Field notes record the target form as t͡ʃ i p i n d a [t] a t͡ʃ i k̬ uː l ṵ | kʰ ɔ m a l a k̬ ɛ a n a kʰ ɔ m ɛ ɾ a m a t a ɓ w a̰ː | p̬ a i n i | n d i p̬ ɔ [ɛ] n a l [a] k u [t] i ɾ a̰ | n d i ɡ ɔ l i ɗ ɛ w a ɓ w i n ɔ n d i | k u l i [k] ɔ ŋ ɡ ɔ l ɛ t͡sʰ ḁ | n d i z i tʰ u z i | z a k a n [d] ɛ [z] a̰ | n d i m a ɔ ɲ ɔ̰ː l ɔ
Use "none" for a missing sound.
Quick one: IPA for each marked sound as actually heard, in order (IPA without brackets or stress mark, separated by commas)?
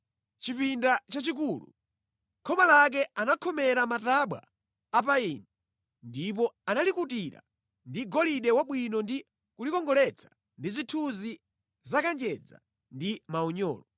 t͡ʃ, a, i, t, k, d͡ʒ, d͡z